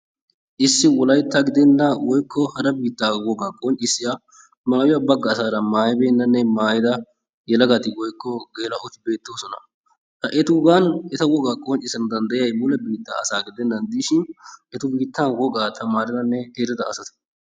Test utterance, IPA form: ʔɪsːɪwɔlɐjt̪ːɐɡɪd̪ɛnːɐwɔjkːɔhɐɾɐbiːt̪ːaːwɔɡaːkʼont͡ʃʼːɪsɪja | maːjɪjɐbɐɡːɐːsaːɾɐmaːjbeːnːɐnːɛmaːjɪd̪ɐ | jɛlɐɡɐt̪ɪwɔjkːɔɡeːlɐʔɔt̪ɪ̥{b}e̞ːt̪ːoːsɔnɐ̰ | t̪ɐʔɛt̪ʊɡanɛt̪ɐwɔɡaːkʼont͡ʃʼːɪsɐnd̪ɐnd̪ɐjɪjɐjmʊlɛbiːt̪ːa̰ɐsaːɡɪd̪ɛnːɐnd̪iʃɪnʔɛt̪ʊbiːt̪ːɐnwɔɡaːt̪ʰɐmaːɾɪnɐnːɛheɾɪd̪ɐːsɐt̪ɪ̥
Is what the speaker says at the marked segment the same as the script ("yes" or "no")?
yes